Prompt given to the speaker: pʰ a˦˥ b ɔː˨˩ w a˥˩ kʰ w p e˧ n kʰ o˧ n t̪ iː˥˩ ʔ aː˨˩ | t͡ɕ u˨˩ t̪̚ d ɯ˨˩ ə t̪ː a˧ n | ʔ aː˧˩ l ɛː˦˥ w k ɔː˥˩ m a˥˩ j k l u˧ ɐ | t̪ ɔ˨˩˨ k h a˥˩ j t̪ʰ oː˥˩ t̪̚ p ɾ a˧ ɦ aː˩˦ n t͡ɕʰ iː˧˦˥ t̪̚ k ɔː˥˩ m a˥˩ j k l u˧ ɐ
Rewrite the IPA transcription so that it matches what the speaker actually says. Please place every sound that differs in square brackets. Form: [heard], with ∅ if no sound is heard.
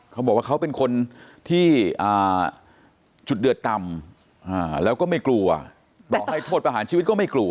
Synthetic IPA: [kʰ] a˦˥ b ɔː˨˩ w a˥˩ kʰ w p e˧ n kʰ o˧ n [t̪ʰ] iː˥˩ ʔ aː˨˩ | t͡ɕ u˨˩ t̪̚ d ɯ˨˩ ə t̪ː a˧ [m] | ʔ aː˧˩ l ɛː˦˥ w k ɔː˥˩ m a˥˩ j k l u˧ ɐ | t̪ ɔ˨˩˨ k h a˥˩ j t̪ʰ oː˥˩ t̪̚ p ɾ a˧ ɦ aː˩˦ n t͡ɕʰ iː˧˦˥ t̪̚ k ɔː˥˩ m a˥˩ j k l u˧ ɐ